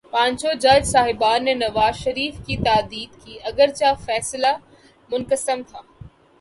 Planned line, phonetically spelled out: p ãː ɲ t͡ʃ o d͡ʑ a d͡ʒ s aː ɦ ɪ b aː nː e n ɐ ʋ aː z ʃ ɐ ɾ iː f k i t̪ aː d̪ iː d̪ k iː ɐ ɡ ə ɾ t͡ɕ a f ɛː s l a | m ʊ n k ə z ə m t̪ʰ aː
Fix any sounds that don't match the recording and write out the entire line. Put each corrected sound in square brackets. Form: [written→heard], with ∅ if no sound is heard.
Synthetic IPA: p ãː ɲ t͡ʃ o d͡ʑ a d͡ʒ s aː ɦ ɪ b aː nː e n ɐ ʋ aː z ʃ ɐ ɾ iː f k i t̪ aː d̪ iː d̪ k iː ɐ ɡ ə ɾ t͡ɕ a f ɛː s l a | m ʊ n k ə [z→s] ə m t̪ʰ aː